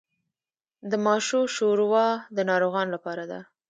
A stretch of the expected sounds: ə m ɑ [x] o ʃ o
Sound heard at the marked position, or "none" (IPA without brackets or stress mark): ʃ